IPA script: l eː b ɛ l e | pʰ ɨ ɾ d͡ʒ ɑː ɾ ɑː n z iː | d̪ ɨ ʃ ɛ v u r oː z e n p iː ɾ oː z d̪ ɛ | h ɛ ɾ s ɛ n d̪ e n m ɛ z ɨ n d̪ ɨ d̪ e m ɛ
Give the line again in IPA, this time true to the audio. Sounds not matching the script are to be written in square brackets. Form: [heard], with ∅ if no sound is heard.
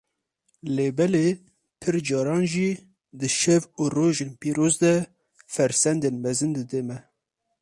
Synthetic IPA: l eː b ɛ l e | pʰ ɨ ɾ d͡ʒ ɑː ɾ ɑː n [ʒ] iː | d̪ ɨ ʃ ɛ v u r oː [ʒ] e n p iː ɾ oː z d̪ ɛ | [f] ɛ ɾ s ɛ n d̪ e n m ɛ z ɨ n d̪ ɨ d̪ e m ɛ